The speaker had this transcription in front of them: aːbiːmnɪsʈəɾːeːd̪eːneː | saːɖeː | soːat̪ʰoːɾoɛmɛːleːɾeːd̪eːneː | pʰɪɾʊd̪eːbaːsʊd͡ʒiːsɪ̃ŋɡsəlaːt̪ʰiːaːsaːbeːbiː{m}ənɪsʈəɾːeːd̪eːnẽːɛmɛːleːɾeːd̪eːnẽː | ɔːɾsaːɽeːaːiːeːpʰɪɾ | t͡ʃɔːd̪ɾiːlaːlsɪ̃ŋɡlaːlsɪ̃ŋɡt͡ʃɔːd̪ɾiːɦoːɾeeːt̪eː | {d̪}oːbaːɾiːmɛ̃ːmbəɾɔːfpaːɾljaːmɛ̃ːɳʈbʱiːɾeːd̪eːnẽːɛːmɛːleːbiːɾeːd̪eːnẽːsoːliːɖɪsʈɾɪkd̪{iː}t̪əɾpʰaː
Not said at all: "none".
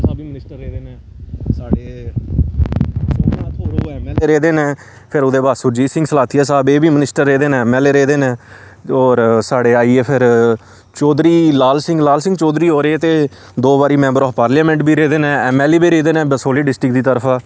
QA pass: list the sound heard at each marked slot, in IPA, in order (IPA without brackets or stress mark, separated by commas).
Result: m, d̪, iː